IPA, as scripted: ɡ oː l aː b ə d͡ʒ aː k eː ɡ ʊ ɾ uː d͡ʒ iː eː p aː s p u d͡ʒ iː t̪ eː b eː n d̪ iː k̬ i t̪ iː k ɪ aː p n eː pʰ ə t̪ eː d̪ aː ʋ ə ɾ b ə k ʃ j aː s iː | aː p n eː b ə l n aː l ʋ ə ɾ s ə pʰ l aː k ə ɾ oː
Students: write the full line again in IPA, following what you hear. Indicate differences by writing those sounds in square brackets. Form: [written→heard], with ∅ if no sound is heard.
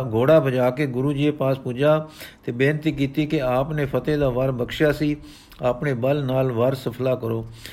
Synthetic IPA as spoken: ɡ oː [l→ɽ] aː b ə d͡ʒ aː k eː ɡ ʊ ɾ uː d͡ʒ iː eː p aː s p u d͡ʒ [iː→aː] t̪ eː b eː n [d̪→t̪] iː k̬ [i→iː] t̪ iː k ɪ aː p n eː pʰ ə t̪ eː d̪ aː ʋ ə ɾ b ə k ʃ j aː s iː | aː p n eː b ə l n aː l ʋ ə ɾ s ə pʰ l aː k ə ɾ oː